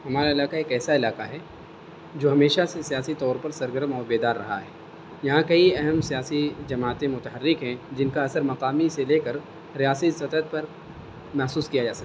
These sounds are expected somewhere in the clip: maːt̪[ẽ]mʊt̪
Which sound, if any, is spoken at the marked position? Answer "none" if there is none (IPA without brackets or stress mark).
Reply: ẽ